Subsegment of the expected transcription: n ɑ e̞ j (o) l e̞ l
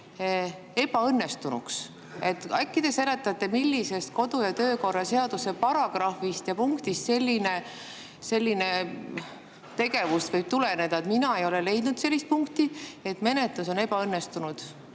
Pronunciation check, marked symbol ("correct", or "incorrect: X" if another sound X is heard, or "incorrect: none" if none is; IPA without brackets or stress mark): correct